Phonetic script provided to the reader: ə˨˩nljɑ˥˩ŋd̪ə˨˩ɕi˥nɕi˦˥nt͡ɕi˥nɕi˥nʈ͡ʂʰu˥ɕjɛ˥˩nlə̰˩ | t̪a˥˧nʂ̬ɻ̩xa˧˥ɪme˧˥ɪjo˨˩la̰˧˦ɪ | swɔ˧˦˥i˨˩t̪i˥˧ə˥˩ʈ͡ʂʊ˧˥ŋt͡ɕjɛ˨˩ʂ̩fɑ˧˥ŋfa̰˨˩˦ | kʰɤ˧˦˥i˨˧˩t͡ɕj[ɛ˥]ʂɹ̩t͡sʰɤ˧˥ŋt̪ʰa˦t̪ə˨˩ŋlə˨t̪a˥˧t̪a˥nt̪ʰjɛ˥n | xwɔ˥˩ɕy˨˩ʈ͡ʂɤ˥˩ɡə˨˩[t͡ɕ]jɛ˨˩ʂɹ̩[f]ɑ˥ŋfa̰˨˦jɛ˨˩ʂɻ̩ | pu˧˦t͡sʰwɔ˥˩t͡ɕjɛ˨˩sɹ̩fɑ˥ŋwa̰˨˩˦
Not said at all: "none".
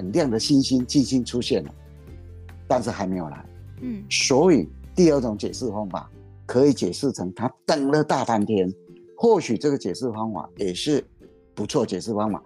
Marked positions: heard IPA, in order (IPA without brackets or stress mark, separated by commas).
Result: ɛ˨˩, t͡ɕ, f